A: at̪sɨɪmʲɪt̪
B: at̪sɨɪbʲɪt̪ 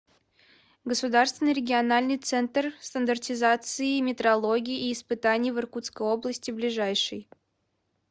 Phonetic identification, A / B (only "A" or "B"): A